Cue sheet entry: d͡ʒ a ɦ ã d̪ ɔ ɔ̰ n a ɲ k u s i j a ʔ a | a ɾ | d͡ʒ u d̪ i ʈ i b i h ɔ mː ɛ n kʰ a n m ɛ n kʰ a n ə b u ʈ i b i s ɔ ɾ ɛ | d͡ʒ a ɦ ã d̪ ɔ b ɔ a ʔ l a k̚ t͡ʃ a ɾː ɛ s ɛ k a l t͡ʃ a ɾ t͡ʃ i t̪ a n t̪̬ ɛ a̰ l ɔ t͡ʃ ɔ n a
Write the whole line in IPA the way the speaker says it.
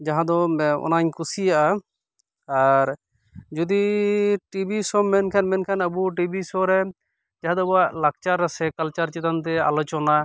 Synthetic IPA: d͡ʒ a ɦ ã d̪ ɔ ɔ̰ n a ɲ k u s i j a ʔ a | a ɾ | d͡ʒ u d̪ i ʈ i b i s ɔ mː ɛ n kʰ a n m ɛ n kʰ a n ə b u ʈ i b i s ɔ ɾ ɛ | d͡ʒ a ɦ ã d̪ ɔ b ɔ a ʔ l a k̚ t͡ʃ a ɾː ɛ s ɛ k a l t͡ʃ a ɾ t͡ʃ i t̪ a n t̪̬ ɛ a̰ l ɔ t͡ʃ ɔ n a